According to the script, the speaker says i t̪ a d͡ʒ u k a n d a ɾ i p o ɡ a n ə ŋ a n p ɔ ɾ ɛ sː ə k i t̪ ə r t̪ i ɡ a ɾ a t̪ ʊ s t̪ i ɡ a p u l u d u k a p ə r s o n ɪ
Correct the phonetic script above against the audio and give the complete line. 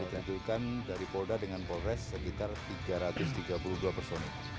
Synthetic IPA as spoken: i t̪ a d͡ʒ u k a n d a ɾ i p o d a d ə ŋ a n p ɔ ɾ ɛ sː ə k i t̪ a r t̪ i ɡ a ɾ a t̪ ʊ s t̪ i ɡ a p u l u d u a p ə r s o n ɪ